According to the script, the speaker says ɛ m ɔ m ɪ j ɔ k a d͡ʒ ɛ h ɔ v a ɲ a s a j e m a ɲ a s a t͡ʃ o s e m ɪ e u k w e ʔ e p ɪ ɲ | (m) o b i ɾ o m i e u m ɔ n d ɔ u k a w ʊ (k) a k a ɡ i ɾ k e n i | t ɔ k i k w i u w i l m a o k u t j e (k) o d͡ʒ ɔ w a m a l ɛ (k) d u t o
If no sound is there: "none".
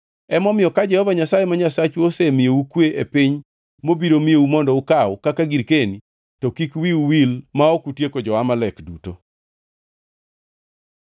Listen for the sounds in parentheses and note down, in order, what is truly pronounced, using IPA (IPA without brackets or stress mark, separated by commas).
m, k, k, k